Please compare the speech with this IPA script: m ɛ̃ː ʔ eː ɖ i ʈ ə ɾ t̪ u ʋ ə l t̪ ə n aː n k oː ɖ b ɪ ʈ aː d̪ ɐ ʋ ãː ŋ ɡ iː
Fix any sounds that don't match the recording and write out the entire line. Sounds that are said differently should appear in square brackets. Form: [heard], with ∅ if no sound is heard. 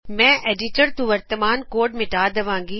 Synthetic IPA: m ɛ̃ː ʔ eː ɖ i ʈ ə ɾ t̪ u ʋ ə [ɾ] t̪ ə [m] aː n k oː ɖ [m] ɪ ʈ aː d̪ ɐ ʋ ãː ŋ ɡ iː

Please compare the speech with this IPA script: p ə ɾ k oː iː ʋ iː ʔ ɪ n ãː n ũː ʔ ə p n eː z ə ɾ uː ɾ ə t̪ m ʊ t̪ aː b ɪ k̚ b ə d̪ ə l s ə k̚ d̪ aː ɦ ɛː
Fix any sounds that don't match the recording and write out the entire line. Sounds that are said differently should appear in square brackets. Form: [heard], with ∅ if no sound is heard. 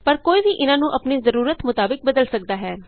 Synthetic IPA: p ə ɾ k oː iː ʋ iː ʔ ɪ n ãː n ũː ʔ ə p n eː z ə ɾ uː ɾ ə t̪ m ʊ t̪ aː b ɪ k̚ b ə d̪ ə l s ə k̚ d̪ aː ɦ ɛː

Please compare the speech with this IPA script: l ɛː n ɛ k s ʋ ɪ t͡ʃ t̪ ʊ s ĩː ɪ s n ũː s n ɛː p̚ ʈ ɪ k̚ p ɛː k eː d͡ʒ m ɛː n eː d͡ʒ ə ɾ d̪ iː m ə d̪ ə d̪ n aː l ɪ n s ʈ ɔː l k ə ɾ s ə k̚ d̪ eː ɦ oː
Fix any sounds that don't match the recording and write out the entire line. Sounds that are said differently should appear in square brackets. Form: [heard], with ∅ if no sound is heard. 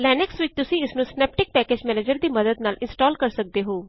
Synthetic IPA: l ɛː n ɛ k s ʋ ɪ t͡ʃ t̪ ʊ s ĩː ɪ s n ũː s n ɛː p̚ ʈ ɪ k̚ p ɛː k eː d͡ʒ m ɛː n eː d͡ʒ ə ɾ d̪ iː m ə d̪ ə d̪ n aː l ɪ n s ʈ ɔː l k ə ɾ s ə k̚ d̪ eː ɦ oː

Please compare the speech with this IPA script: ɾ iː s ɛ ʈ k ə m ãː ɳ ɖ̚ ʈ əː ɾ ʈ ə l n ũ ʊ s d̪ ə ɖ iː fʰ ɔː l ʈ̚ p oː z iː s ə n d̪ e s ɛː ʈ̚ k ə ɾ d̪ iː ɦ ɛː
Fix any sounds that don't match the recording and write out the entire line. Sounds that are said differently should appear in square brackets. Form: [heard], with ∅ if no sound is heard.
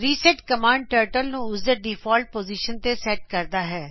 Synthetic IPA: ɾ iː s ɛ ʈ k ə m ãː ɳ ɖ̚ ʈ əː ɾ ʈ ə l n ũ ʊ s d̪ ə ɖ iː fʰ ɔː l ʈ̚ p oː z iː [ʃ] ə n [t̪] e s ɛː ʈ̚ k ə ɾ d̪ [aː] ɦ ɛː

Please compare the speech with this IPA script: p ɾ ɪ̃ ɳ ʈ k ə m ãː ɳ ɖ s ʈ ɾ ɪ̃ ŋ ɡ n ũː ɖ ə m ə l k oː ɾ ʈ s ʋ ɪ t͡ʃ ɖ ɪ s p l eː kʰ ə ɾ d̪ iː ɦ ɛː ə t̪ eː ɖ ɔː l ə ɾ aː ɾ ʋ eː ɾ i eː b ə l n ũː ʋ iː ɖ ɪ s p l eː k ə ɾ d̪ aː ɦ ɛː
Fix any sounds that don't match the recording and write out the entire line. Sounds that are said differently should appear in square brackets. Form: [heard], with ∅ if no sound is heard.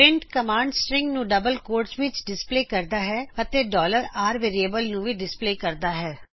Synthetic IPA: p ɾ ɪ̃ ɳ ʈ k ə m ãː ɳ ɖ s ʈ ɾ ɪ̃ ŋ ɡ n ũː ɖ ə [b] ə l k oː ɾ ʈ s ʋ ɪ t͡ʃ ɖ ɪ s p l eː [k] ə ɾ d̪ [aː] ɦ ɛː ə t̪ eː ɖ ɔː l ə ɾ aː ɾ ʋ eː ɾ i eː b ə l n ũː ʋ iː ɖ ɪ s p l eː k ə ɾ d̪ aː ɦ ɛː

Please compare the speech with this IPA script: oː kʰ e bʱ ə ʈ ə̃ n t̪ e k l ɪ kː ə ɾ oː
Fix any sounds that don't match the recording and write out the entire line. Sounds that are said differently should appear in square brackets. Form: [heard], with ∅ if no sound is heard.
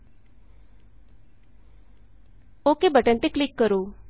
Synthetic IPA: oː [k] e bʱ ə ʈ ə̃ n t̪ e k l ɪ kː ə ɾ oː

